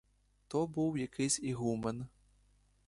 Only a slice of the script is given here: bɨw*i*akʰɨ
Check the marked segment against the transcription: incorrect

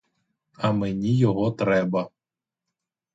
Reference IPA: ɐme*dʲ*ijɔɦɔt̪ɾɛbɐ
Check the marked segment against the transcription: incorrect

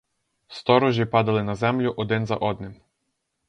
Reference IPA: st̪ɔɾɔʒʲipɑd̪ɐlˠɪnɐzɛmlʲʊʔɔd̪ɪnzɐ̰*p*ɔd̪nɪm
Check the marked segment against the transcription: incorrect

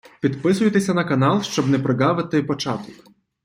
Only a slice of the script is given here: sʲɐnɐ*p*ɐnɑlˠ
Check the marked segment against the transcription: incorrect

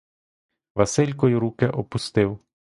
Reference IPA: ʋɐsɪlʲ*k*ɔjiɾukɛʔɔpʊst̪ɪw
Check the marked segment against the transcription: correct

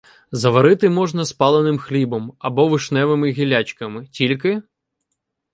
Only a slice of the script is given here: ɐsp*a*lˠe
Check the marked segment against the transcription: incorrect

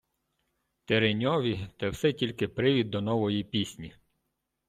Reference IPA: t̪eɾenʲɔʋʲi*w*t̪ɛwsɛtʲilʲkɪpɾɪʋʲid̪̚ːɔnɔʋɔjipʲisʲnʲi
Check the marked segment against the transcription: incorrect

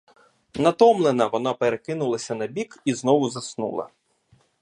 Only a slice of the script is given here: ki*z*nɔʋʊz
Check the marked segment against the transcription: correct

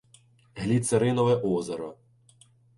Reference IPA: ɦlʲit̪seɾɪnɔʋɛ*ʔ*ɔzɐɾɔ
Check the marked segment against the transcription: correct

